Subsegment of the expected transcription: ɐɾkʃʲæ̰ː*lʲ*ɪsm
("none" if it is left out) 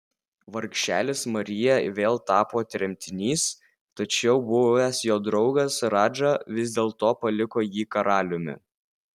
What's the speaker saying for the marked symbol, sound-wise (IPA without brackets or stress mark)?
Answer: lʲ